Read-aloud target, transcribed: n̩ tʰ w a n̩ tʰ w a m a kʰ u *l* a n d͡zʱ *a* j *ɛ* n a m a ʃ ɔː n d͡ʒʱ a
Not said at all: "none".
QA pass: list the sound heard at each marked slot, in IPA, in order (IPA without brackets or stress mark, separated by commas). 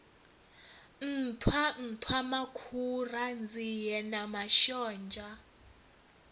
r, i, ɛ